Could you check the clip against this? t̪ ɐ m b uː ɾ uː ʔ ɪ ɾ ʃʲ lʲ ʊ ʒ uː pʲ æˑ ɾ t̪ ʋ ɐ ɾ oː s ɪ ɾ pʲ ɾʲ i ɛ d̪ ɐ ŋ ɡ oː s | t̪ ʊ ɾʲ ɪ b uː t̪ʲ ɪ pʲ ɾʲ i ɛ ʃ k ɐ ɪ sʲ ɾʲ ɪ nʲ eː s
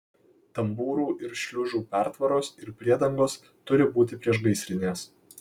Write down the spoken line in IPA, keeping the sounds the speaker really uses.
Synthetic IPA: t̪ ɐ m b uː ɾ uː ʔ ɪ ɾ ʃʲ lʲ ʊ ʒ uː pʲ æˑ ɾ t̪ ʋ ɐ ɾ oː s ɪ ɾ pʲ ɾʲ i ɛ d̪ ɐ ŋ ɡ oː s | t̪ ʊ ɾʲ ɪ b uː t̪ʲ ɪ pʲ ɾʲ i ɛ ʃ ɡ ɐ ɪ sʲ ɾʲ ɪ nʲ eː s